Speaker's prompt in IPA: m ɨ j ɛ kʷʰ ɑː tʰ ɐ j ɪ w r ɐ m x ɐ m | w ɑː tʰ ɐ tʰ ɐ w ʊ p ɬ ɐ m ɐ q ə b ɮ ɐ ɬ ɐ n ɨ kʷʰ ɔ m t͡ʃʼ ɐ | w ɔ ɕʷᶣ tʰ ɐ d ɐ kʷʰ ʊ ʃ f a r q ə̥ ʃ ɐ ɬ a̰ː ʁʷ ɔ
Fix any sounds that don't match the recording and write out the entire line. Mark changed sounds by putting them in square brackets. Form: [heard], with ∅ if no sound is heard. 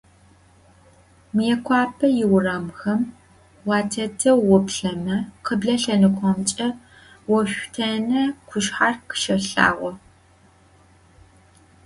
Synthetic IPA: m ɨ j ɛ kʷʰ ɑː [pʰ] ɐ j ɪ w r ɐ m x ɐ m | w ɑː tʰ ɐ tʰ ɐ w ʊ p ɬ ɐ m ɐ q ə b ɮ ɐ ɬ ɐ n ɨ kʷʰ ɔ m t͡ʃʼ ɐ | w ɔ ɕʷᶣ tʰ ɐ [n] ɐ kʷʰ ʊ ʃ [ħ] a r q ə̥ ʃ ɐ ɬ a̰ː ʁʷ ɔ

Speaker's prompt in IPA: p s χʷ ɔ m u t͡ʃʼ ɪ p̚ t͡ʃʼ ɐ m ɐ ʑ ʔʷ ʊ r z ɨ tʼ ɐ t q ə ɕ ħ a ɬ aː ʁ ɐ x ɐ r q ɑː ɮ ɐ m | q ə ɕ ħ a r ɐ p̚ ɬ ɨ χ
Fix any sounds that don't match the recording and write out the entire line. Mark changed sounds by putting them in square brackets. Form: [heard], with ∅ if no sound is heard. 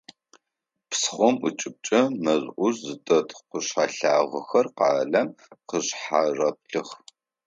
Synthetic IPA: p s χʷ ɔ m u t͡ʃʼ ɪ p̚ t͡ʃʼ ɐ m ɐ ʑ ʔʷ ʊ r z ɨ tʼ ɐ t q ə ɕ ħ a ɬ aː ʁ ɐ x ɐ r q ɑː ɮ ɐ m | q ə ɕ ħ a r ɐ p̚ ɬ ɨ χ

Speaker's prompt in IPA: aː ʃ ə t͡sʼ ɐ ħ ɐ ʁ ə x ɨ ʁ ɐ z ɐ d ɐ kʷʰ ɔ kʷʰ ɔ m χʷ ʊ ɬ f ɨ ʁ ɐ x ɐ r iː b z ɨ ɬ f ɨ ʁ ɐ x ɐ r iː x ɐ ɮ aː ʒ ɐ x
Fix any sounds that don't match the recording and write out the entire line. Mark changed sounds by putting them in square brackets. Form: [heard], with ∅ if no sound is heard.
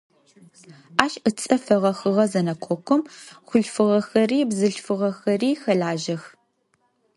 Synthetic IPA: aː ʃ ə t͡sʼ ɐ [f] ɐ ʁ [ɐ] x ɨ ʁ ɐ z ɐ [n] ɐ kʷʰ ɔ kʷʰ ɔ m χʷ ʊ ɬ f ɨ ʁ ɐ x ɐ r iː b z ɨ ɬ f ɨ ʁ ɐ x ɐ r iː x ɐ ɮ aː ʒ ɐ x

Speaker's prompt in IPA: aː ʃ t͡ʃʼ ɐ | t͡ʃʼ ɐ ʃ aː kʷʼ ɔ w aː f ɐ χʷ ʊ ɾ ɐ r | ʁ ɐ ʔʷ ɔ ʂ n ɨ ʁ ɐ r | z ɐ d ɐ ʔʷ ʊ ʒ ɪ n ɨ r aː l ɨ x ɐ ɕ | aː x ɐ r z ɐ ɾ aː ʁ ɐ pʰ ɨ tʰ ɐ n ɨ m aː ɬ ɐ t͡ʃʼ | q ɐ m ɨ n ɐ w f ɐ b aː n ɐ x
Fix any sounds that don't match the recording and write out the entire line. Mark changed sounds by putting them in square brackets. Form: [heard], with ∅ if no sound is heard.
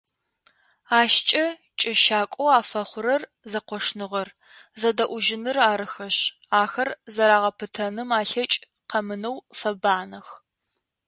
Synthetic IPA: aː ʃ t͡ʃʼ ɐ | t͡ʃʼ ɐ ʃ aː kʷʼ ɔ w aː f ɐ χʷ ʊ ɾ ɐ r | [z] ɐ [qʷ] ɔ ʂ n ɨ ʁ ɐ r | z ɐ d ɐ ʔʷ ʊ ʒ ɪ n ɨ r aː [ɾ] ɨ x ɐ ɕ | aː x ɐ r z ɐ ɾ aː ʁ ɐ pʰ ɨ tʰ ɐ n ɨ m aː ɬ ɐ t͡ʃʼ | q ɐ m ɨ n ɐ w f ɐ b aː n ɐ x

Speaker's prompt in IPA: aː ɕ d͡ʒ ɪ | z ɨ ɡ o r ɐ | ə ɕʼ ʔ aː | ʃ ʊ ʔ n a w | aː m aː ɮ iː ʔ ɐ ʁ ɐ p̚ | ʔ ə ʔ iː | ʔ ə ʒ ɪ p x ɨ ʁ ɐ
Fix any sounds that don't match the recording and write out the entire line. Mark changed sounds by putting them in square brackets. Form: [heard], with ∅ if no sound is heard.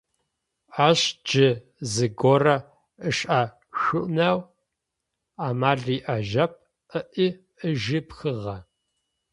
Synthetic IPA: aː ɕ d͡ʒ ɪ | z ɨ ɡ o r ɐ | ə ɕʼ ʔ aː | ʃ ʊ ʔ n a w | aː m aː ɮ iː ʔ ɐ [ʒ] ɐ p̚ | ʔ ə ʔ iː | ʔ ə ʒ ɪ p x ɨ ʁ ɐ

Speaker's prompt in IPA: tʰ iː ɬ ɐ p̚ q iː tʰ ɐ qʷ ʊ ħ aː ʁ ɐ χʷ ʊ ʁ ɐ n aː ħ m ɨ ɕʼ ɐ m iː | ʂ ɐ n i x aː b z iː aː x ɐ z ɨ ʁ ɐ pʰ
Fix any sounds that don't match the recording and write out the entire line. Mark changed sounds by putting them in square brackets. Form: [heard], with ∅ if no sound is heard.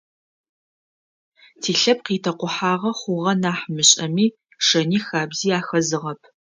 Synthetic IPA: tʰ iː ɬ ɐ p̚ q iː tʰ ɐ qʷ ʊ ħ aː ʁ ɐ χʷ ʊ ʁ ɐ n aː ħ m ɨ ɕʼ ɐ m iː | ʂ ɐ n [iː] x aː b z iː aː x ɐ z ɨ ʁ ɐ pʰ

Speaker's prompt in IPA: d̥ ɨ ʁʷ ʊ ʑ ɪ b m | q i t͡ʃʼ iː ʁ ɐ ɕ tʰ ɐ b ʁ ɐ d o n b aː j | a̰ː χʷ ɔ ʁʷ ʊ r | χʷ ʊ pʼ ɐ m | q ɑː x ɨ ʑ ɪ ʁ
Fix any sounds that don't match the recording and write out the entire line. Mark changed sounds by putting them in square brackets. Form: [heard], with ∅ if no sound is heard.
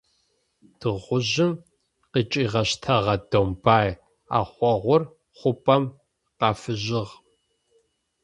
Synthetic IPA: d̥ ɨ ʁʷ ʊ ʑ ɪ [∅] m | q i t͡ʃʼ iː ʁ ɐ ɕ tʰ ɐ [∅] ʁ ɐ d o [m] b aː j | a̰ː χʷ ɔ ʁʷ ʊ r | χʷ ʊ pʼ ɐ m | q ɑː [f] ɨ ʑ ɪ ʁ

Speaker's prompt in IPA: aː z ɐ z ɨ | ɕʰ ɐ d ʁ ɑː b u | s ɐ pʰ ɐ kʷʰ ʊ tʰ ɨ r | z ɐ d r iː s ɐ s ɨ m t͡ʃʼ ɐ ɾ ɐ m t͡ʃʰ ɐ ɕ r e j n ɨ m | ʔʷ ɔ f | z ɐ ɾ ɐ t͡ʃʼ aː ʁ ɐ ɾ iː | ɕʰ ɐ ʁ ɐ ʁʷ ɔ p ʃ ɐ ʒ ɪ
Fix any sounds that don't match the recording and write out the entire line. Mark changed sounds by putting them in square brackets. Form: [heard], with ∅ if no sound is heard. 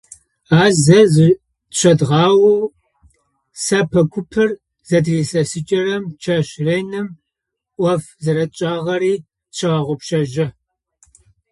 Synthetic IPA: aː z ɐ z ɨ | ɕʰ ɐ d ʁ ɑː [w] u | s ɐ pʰ ɐ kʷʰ ʊ [pʰ] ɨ r | z ɐ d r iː s ɐ s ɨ [∅] t͡ʃʼ ɐ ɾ ɐ m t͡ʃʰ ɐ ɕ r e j n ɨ m | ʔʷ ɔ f | z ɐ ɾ ɐ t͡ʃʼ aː ʁ ɐ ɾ iː | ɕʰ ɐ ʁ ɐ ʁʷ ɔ p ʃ ɐ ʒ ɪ

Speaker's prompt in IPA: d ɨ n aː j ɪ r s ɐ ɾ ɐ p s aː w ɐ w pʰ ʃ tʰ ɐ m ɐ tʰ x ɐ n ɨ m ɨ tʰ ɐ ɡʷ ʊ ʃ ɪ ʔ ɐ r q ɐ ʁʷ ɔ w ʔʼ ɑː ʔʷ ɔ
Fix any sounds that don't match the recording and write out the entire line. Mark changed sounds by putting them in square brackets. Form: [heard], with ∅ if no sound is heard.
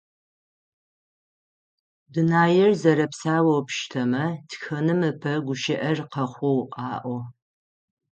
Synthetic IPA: d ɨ n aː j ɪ r [z] ɐ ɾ ɐ p s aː w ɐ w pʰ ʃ tʰ ɐ m ɐ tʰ x ɐ n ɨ m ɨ [pʰ] ɐ ɡʷ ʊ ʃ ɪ ʔ ɐ r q ɐ [χʷ] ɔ w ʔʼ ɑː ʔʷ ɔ

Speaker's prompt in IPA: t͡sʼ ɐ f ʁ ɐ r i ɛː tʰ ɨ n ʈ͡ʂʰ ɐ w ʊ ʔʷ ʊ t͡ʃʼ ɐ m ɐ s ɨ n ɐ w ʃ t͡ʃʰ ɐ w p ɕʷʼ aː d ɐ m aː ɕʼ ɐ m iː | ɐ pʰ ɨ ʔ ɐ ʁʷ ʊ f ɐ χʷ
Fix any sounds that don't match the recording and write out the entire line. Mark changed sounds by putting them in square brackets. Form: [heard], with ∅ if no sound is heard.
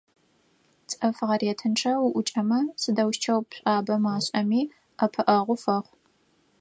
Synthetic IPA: t͡sʼ ɐ f ʁ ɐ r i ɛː tʰ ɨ n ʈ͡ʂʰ ɐ w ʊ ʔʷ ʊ t͡ʃʼ ɐ m ɐ s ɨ [d] ɐ w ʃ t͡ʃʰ ɐ w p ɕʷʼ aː [b] ɐ m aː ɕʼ ɐ m iː | ɐ pʰ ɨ ʔ ɐ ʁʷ ʊ f ɐ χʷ

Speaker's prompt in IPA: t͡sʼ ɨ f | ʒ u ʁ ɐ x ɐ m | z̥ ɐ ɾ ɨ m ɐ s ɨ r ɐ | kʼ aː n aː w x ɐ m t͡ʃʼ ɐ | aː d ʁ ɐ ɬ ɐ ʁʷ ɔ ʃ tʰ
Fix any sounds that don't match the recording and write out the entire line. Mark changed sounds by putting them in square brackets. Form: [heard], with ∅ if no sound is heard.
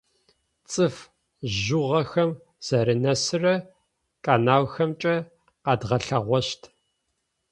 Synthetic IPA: t͡sʼ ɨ f | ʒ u ʁ ɐ x ɐ m | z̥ ɐ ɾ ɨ [n] ɐ s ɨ r ɐ | kʼ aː n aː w x ɐ m t͡ʃʼ ɐ | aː d ʁ ɐ ɬ ɐ ʁʷ ɔ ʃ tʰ

